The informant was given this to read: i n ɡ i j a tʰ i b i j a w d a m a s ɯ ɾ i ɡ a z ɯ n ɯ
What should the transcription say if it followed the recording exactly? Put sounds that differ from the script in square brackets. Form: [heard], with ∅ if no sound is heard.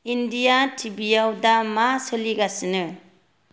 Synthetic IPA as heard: i n [d] i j a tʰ i b i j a w d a m a s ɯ [l] i ɡ a [s] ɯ n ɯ